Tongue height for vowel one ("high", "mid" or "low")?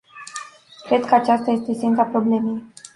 mid